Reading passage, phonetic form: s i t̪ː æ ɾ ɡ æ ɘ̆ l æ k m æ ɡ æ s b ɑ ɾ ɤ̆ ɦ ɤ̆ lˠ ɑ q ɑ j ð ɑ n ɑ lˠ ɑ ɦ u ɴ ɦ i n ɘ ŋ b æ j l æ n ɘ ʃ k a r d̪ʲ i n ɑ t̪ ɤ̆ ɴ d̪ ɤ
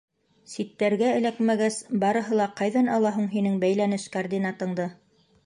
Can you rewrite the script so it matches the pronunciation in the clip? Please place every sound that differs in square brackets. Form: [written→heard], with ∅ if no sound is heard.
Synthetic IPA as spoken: s i t̪ː æ ɾ ɡ æ ɘ̆ l æ k m æ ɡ æ s b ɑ ɾ ɤ̆ ɦ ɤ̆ lˠ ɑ q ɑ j ð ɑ n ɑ lˠ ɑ ɦ u ɴ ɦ i n ɘ ŋ b æ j l æ n ɘ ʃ k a r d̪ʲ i n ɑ t̪ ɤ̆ ɴ d̪ ɤ